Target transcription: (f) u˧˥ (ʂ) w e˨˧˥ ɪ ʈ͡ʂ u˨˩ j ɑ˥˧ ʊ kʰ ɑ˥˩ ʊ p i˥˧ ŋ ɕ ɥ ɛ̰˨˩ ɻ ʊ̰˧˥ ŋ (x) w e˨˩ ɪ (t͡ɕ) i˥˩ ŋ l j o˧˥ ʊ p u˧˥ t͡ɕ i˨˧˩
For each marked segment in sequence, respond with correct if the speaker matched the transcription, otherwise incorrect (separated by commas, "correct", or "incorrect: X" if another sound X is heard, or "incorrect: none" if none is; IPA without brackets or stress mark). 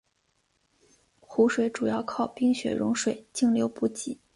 incorrect: x, correct, incorrect: ʂ, correct